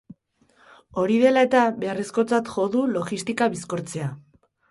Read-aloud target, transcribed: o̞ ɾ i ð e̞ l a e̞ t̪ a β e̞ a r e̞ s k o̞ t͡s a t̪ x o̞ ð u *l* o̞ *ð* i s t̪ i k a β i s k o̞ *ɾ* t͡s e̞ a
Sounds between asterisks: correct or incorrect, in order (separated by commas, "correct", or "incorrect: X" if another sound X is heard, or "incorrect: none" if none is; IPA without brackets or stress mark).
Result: correct, incorrect: ɣ, correct